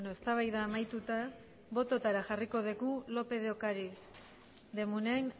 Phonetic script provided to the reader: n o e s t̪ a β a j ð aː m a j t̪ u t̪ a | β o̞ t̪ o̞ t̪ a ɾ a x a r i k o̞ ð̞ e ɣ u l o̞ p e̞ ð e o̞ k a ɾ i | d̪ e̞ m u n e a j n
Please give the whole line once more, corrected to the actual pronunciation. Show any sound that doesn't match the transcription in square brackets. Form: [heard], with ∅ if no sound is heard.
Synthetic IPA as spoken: n o e s t̪ a β a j ð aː m a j t̪ u t̪ a | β o̞ t̪ o̞ t̪ a ɾ a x a r i k o̞ ð̞ e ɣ u l o̞ p e̞ ð e o̞ k a ɾ i | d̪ e̞ m u n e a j n